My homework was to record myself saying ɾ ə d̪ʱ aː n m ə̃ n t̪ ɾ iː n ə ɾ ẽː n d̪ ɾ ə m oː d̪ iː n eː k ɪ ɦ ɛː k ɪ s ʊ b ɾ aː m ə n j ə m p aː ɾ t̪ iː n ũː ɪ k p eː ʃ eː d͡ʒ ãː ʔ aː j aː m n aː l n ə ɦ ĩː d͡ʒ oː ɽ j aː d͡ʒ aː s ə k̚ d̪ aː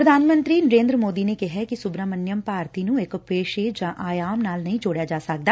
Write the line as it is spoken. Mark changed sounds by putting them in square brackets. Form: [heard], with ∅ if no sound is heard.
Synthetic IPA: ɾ ə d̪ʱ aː n m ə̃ n t̪ ɾ iː n ə ɾ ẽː n d̪ ɾ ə m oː d̪ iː n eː k ɪ ɦ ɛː k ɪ s ʊ b ɾ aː m ə n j ə m p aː ɾ t̪ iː n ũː ɪ k p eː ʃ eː d͡ʒ ãː ʔ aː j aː m n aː l n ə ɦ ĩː d͡ʒ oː ɽ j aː d͡ʒ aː s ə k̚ d̪ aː